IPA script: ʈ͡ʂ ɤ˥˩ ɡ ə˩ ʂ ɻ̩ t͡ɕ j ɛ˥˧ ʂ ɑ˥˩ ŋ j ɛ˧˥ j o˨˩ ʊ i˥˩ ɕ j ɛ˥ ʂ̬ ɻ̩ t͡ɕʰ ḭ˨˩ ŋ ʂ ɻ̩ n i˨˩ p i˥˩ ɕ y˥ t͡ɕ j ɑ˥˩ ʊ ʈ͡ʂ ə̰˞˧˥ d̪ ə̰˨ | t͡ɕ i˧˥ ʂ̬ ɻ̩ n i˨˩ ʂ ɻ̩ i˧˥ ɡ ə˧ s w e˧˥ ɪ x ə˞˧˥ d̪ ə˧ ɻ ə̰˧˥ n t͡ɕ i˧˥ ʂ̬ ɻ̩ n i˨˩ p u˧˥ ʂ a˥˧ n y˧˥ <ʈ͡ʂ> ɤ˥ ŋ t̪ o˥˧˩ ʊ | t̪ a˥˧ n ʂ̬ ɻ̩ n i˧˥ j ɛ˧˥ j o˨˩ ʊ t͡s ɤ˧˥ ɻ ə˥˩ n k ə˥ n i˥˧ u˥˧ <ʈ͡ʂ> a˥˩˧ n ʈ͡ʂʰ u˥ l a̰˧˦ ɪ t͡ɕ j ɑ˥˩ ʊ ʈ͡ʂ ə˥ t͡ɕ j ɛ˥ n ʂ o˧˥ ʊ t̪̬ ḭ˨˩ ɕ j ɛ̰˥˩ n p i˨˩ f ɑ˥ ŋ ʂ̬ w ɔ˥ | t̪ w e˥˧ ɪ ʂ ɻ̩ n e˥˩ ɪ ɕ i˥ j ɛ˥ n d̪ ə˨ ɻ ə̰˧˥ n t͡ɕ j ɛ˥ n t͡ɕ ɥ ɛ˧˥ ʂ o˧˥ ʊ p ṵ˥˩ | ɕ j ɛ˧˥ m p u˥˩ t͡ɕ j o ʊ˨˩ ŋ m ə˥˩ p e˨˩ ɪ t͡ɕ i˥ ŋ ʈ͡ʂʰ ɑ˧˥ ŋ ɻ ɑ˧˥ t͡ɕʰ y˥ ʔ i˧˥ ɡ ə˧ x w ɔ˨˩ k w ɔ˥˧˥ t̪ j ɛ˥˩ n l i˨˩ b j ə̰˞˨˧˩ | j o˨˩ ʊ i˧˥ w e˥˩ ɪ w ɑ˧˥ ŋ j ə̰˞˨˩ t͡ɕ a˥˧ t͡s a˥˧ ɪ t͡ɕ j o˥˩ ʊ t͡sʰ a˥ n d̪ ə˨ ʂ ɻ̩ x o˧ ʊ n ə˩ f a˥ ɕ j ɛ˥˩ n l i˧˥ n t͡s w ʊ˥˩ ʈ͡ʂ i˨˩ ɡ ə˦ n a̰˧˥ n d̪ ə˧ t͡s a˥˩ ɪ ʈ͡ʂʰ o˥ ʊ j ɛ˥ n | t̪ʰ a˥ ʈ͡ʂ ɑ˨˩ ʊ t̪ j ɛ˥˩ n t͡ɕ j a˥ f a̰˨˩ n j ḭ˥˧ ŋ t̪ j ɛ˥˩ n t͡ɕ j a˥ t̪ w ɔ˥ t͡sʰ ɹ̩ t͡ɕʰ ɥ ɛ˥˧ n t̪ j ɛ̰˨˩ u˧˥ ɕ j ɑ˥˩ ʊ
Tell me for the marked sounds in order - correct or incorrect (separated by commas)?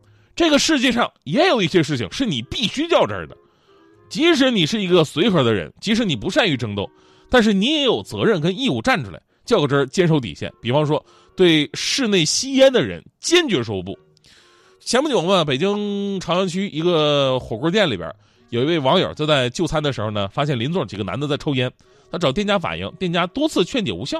correct, correct